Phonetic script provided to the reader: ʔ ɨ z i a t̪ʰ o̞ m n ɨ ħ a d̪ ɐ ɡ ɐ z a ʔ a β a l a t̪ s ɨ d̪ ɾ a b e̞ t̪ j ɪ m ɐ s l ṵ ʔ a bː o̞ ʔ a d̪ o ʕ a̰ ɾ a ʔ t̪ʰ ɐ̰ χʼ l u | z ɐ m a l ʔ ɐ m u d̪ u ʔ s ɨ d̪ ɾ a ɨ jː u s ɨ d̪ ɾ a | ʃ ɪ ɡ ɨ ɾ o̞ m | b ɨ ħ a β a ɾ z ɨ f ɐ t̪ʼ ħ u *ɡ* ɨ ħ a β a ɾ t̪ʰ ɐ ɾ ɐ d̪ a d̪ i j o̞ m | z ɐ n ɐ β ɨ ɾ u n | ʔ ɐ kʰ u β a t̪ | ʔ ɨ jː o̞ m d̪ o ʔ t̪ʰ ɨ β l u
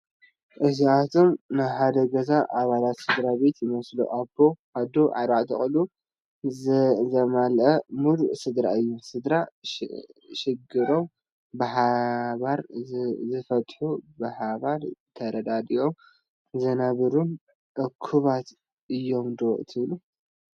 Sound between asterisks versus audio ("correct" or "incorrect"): incorrect